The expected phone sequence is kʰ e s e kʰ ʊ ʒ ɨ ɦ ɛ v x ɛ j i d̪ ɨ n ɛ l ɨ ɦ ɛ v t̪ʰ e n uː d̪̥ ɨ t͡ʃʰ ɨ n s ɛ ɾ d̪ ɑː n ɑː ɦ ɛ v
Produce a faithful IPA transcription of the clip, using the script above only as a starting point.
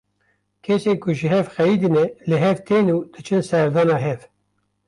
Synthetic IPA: kʰ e s e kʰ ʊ ʒ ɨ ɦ ɛ v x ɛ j i d̪ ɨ n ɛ l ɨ ɦ ɛ v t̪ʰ e n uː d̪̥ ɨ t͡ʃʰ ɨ n s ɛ ɾ d̪ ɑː n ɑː ɦ ɛ v

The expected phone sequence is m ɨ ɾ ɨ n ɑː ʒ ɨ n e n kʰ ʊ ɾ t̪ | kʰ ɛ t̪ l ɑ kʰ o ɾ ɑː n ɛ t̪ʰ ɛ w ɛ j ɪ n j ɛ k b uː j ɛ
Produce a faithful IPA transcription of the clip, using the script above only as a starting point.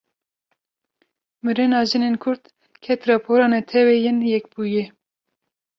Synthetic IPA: m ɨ ɾ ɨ n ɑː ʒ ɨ n e n kʰ ʊ ɾ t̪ | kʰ ɛ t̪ ɾ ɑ pʰ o ɾ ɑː n ɛ t̪ʰ ɛ w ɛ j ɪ n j ɛ k b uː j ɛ

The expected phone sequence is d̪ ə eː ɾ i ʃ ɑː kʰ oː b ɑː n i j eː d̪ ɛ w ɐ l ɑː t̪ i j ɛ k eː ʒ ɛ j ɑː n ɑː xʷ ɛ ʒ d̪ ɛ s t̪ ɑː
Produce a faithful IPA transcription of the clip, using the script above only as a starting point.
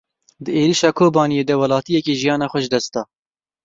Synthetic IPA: d̪ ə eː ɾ i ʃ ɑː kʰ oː b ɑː n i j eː d̪ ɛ w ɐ l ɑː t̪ i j ɛ k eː ʒ i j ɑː n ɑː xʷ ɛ ʒ d̪ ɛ s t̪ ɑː

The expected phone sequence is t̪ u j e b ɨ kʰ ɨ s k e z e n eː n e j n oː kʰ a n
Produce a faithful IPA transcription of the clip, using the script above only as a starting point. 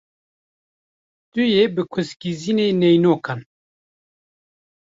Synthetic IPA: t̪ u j e b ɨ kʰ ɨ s k i z i n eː n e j n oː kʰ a n

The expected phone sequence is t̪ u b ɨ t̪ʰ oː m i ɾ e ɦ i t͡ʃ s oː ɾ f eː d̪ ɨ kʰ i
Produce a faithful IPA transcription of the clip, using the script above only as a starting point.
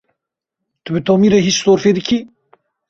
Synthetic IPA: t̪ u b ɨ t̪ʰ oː m i ɾ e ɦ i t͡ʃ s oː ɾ f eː d̪ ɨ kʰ i

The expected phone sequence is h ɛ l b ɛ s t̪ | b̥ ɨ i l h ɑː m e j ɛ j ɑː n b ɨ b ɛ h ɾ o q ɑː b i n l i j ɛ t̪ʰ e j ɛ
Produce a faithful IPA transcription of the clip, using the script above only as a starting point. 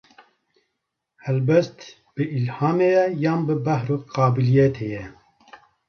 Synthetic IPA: h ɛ l b ɛ s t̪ | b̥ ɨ i l h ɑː m e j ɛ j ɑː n b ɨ b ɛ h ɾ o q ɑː b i l i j ɛ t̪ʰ e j ɛ

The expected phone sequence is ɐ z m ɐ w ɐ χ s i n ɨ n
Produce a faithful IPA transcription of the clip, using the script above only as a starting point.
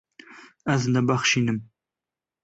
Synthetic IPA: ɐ z n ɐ b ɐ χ ʃ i n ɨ m

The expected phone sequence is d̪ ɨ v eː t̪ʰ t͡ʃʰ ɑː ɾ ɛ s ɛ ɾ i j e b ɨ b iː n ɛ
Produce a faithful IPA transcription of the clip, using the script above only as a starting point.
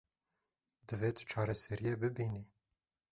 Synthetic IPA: d̪ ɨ v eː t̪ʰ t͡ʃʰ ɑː ɾ ɛ s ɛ ɾ i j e b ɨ b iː n i

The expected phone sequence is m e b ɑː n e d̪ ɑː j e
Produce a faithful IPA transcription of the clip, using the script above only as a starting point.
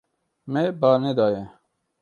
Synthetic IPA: m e b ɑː n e d̪ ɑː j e

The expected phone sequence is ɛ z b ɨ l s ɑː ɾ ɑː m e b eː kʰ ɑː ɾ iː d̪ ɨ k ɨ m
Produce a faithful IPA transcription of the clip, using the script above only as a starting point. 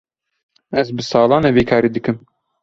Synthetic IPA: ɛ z b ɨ s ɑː l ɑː n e v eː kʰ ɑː ɾ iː d̪ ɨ k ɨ m

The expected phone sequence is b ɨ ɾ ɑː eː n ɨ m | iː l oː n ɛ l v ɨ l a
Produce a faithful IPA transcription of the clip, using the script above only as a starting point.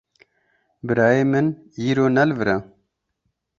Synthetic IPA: b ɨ ɾ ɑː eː m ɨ n | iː ɾ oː n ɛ l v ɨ ɾ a

